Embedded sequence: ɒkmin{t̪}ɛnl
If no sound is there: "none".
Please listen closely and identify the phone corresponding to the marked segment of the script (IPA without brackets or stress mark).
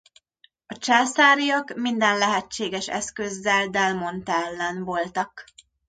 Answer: d̪